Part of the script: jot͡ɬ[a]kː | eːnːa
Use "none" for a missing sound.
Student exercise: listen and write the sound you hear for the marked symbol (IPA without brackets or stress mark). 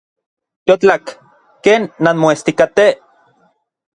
a